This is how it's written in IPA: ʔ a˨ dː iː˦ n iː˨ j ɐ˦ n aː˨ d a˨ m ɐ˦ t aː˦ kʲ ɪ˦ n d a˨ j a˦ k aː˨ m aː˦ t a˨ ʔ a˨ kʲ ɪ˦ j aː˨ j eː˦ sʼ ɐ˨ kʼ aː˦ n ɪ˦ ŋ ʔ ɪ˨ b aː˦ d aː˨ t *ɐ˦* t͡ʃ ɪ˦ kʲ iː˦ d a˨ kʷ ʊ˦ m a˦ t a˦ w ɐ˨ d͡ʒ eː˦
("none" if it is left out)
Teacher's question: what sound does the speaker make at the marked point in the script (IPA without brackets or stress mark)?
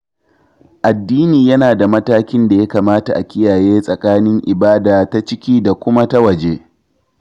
a˦